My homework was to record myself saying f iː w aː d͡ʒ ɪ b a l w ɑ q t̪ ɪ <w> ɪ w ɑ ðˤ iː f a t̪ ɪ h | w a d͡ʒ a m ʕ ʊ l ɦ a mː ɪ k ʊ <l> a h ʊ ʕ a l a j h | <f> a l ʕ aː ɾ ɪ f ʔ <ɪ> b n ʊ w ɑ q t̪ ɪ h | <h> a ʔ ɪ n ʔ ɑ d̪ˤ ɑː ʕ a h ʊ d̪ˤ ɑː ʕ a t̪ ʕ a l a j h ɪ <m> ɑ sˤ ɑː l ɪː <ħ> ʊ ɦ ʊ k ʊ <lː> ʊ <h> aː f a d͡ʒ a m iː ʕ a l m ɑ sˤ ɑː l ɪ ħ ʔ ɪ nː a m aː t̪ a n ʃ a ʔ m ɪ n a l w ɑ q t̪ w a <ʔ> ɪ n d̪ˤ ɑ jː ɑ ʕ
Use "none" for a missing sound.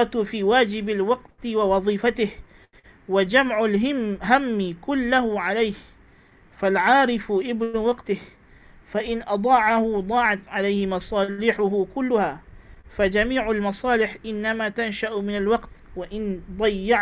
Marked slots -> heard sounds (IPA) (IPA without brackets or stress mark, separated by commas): w, lː, f, ɪ, f, m, ħ, lː, h, ʔ